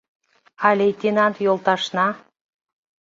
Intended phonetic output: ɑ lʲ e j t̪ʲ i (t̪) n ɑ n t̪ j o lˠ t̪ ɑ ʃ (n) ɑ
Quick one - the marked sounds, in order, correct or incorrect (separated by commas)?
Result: incorrect, correct